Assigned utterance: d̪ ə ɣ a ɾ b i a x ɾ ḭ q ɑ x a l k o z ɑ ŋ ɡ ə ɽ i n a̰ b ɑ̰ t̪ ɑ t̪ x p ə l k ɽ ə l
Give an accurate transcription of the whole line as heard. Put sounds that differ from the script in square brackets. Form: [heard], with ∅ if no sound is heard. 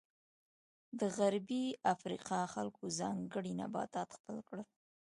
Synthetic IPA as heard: d̪ ə ɣ a ɾ b i a [f] ɾ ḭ q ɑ x a l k o z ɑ ŋ ɡ ə ɽ i n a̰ b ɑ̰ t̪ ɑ t̪ x p ə l k ɽ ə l